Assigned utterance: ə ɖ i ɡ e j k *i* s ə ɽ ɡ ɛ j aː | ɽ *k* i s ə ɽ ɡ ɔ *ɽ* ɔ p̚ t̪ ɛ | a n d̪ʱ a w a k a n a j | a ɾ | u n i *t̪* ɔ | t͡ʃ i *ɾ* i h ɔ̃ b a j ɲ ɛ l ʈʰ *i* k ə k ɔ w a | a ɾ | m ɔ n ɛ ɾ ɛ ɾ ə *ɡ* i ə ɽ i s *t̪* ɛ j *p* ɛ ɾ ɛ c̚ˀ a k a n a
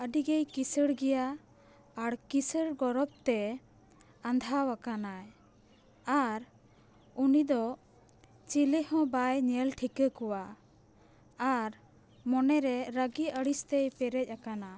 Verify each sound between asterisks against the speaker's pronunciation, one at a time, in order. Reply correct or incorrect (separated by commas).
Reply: correct, correct, incorrect, incorrect, incorrect, correct, correct, correct, correct